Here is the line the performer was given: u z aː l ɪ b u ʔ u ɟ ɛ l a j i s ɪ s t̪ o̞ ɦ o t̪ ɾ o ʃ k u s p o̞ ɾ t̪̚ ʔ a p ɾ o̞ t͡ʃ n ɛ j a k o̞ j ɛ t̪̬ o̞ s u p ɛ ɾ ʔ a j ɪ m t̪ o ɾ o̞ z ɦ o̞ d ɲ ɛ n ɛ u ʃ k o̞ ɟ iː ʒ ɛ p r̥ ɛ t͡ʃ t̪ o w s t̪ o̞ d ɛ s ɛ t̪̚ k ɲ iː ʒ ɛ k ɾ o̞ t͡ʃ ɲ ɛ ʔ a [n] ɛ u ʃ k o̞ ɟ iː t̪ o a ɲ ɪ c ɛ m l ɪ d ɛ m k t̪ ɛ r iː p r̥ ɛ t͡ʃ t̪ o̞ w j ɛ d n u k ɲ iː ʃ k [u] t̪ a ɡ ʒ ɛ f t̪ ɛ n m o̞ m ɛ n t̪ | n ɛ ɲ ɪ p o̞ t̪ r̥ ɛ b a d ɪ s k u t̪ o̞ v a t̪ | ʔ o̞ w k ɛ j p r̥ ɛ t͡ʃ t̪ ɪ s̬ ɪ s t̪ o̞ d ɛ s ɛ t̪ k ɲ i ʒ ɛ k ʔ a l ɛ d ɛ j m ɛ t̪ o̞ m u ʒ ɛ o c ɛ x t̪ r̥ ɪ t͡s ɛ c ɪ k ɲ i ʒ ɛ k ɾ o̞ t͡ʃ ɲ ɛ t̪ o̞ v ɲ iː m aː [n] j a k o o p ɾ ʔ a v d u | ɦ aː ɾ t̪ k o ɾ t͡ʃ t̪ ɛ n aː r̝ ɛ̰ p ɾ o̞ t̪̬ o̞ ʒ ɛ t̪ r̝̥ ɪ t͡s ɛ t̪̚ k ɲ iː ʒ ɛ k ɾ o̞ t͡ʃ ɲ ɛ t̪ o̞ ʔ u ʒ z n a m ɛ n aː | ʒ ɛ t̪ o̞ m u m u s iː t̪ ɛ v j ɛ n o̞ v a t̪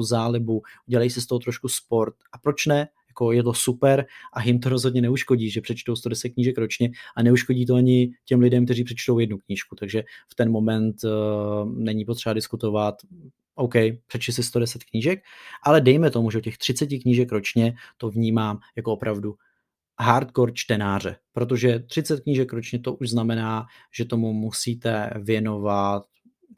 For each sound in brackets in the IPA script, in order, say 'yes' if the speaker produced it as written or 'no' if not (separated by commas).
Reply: yes, yes, no